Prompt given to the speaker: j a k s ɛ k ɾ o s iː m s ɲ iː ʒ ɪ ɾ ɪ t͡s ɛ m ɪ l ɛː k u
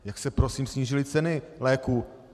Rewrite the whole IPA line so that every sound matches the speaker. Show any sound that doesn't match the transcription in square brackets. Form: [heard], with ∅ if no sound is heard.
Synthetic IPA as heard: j a k s ɛ [p] ɾ o s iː m s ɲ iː ʒ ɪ [l] ɪ t͡s ɛ [n] ɪ l ɛː k u